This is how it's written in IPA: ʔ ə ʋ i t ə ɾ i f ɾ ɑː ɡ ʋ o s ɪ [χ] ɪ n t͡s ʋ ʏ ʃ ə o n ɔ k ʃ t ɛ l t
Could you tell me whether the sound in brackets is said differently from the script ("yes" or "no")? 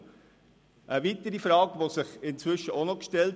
no